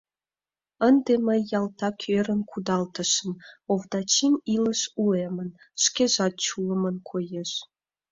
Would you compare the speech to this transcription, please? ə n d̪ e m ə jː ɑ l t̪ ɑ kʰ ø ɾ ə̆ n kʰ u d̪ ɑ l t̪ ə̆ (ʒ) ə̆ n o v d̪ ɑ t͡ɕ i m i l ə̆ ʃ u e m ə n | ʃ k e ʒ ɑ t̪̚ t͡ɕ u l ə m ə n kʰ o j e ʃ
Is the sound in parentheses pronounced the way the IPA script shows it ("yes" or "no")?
no